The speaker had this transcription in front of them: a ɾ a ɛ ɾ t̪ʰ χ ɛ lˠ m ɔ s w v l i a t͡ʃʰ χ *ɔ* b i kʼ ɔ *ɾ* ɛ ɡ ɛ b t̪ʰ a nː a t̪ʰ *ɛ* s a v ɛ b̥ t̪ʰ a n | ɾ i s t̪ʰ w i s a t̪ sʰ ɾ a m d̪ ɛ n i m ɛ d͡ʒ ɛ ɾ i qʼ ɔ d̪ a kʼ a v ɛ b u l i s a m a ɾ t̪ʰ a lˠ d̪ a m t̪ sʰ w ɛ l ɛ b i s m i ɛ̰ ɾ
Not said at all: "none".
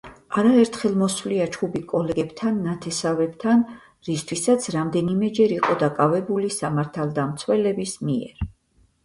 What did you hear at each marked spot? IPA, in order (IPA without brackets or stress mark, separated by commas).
u, l, ɛ